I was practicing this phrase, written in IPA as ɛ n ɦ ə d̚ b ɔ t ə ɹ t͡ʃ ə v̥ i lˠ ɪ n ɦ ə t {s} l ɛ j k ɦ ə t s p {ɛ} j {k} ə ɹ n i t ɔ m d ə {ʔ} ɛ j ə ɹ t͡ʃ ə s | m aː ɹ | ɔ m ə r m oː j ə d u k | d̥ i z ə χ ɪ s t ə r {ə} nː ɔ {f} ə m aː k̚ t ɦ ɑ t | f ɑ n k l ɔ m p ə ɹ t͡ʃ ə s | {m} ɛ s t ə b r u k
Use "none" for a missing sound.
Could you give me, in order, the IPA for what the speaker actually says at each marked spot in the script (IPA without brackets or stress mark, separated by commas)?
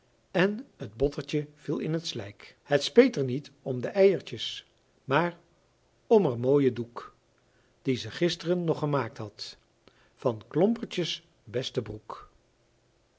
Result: s, e, t, ʔ, ə, χ, b